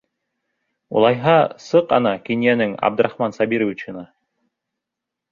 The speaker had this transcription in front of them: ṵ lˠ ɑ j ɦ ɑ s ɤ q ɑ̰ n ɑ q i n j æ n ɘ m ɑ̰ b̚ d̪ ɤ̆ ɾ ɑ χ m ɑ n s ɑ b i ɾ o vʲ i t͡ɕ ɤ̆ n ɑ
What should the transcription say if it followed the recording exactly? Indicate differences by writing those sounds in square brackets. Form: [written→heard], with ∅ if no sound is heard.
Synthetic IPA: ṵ lˠ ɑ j ɦ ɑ s ɤ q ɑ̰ n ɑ [q→k] i n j æ n ɘ [m→ŋ] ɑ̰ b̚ d̪ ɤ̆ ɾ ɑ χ m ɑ n s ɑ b i ɾ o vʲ i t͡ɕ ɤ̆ n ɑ

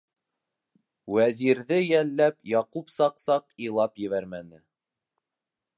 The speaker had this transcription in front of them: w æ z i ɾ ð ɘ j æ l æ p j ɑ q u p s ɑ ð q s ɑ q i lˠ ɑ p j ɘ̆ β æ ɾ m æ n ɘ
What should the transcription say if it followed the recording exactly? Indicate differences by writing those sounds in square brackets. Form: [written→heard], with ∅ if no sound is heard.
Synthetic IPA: w æ z i ɾ ð ɘ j æ [l→lː] æ p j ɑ q u p s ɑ [ð→∅] q s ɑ q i lˠ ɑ p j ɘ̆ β æ ɾ m æ n ɘ

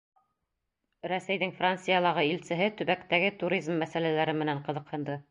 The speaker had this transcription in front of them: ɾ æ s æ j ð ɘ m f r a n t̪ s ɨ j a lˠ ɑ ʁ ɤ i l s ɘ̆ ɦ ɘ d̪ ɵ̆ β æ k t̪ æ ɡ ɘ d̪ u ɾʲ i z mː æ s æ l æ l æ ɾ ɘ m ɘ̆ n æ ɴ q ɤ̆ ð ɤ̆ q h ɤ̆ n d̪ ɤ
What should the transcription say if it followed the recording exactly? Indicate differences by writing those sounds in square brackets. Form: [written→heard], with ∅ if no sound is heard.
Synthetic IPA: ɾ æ s æ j ð ɘ [m→ŋ] f r a n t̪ s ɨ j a lˠ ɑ ʁ ɤ i l s ɘ̆ ɦ ɘ [d̪→t̪] ɵ̆ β æ k t̪ æ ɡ ɘ [d̪→t̪] u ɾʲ i z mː æ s æ l æ l æ ɾ ɘ m ɘ̆ n æ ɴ q ɤ̆ ð ɤ̆ q h ɤ̆ n d̪ ɤ

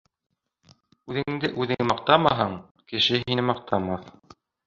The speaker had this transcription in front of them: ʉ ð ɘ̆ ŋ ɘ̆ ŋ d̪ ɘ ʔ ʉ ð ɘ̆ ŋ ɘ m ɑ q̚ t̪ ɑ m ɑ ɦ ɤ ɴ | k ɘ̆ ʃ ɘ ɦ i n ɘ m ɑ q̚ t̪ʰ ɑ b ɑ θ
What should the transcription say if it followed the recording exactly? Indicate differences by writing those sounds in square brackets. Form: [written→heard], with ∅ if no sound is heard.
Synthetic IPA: ʉ ð ɘ̆ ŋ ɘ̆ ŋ d̪ ɘ ʔ ʉ ð ɘ̆ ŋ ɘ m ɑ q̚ t̪ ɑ m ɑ ɦ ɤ ɴ | k ɘ̆ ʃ ɘ ɦ i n ɘ m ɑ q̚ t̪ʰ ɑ [b→m] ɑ θ

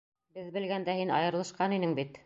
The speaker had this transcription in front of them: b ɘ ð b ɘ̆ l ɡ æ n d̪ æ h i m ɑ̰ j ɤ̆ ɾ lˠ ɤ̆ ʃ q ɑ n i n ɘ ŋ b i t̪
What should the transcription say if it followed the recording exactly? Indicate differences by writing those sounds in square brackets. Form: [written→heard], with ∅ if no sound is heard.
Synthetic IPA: b ɘ ð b ɘ̆ l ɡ æ n d̪ æ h i [m→n] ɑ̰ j ɤ̆ ɾ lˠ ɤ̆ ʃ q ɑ n i n ɘ ŋ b i t̪

